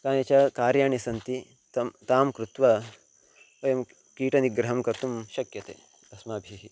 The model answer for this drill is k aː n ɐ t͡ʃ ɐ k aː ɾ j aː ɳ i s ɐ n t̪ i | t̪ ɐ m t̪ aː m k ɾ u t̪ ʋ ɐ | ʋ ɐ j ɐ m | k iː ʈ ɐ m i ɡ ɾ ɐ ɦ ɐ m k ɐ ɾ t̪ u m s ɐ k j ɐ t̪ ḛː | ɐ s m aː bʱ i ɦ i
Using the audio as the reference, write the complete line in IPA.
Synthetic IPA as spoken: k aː n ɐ t͡ʃ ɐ k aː ɾ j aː ɳ i s ɐ n t̪ i | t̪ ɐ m t̪ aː m k ɾ u t̪ ʋ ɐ | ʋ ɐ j ɐ m | k iː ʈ ɐ n i ɡ ɾ ɐ ɦ ɐ m k ɐ ɾ t̪ u m ʃ ɐ k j ɐ t̪ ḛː | ɐ s m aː bʱ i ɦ i